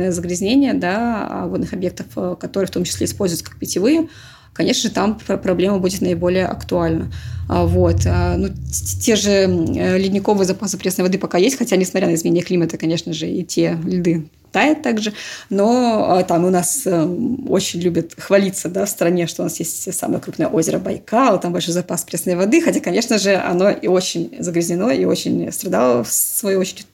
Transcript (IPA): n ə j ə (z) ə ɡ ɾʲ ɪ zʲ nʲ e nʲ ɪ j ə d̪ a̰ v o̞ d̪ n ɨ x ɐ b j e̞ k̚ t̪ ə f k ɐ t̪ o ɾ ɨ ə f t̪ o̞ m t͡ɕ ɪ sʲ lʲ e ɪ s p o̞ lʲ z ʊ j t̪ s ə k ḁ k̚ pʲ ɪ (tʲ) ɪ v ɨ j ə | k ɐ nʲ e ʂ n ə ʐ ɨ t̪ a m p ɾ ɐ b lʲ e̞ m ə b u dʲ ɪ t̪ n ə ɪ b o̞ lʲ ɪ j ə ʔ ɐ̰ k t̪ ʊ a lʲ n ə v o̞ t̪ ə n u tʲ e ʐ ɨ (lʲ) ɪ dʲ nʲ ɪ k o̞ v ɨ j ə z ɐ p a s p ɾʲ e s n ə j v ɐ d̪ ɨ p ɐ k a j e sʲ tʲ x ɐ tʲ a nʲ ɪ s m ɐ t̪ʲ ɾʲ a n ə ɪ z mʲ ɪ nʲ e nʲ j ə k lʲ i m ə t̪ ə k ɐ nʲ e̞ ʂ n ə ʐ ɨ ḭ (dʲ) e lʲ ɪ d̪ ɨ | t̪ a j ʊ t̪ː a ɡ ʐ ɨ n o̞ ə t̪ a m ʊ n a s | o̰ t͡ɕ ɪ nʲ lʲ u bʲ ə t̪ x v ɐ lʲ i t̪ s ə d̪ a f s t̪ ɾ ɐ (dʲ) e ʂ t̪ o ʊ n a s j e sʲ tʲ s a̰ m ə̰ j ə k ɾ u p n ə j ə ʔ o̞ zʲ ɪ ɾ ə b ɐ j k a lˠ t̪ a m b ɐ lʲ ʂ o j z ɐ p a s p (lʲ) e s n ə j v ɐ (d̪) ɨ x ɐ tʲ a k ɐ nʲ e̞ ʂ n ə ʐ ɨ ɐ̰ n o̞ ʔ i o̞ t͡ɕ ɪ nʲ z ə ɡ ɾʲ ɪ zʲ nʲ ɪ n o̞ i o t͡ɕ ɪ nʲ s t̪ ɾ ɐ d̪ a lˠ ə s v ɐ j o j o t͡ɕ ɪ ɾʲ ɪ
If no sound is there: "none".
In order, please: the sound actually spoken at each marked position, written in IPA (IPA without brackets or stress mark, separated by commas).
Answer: z, tʲ, lʲ, tʲ, nʲ, ɾʲ, d̪